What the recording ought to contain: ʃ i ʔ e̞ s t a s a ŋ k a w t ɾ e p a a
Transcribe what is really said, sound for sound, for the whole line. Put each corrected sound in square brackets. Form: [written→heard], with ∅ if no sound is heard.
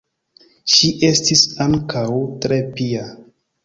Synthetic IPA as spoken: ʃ i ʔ e̞ s t [a→i] s a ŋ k a w t ɾ e p [a→i] a